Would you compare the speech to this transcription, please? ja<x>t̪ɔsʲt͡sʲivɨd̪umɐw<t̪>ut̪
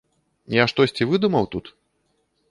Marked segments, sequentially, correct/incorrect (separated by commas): incorrect, correct